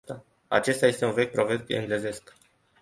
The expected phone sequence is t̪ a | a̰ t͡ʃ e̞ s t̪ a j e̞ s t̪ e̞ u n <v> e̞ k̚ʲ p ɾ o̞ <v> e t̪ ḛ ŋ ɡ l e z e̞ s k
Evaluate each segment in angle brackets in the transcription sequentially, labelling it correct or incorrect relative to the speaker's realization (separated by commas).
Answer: correct, correct